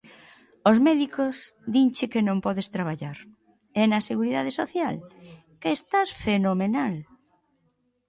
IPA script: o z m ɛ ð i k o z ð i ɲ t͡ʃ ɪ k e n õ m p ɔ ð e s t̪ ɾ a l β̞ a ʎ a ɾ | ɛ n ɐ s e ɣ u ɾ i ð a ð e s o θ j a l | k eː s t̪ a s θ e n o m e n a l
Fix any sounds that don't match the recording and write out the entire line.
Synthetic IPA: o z m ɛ ð i k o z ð i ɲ t͡ʃ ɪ k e n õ m p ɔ ð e s t̪ ɾ a β̞ a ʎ a ɾ | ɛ n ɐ s e ɣ u ɾ i ð a ð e s o θ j a l | k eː s t̪ a s f e n o m e n a l